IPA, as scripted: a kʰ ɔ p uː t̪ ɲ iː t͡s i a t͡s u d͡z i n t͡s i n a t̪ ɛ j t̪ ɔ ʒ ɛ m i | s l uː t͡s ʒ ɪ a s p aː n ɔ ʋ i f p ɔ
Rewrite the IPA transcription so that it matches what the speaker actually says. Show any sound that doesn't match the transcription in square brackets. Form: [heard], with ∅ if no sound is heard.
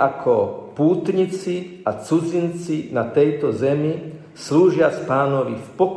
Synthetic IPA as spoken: a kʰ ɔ p uː t̪ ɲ [i] t͡s i a t͡s u d͡z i n t͡s i n a t̪ ɛ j t̪ ɔ [z] ɛ m i | s l uː [∅] ʒ ɪ a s p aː n ɔ ʋ i f p ɔ